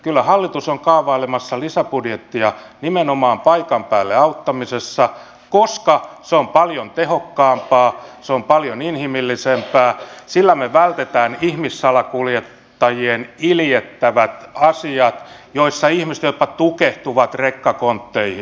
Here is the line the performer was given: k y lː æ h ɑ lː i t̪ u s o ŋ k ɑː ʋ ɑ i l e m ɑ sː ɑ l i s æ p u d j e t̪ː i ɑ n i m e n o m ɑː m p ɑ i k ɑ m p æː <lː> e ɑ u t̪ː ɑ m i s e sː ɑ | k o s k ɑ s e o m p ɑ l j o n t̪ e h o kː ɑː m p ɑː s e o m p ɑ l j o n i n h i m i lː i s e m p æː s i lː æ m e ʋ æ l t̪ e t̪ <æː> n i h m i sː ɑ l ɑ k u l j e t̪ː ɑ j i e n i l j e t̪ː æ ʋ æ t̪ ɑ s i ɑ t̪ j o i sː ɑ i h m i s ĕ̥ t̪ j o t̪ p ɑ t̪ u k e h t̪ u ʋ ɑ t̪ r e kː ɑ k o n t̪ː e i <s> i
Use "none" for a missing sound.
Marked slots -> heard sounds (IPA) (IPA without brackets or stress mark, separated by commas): lː, æː, h